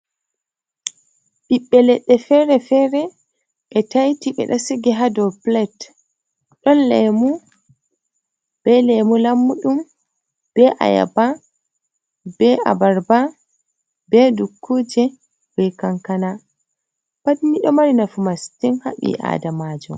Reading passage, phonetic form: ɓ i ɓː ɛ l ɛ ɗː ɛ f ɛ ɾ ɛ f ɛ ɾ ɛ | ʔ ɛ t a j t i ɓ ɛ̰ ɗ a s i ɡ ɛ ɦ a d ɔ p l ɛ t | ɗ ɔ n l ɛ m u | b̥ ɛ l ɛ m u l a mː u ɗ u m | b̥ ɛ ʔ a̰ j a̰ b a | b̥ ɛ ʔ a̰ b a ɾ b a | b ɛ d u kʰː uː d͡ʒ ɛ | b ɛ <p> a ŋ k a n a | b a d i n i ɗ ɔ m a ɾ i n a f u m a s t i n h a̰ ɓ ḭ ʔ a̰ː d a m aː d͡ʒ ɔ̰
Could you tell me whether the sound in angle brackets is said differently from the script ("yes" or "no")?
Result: yes